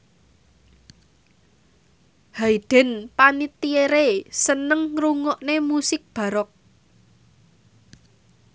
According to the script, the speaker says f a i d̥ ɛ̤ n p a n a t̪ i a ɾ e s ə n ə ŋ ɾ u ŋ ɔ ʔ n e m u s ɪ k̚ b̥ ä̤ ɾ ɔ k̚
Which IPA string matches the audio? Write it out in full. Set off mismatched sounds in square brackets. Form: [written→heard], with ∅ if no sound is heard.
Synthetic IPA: [f→h] a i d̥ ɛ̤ n p a n [a→i] t̪ i [a→e] ɾ e s ə n ə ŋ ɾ u ŋ ɔ ʔ n e m u s ɪ k̚ b̥ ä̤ ɾ ɔ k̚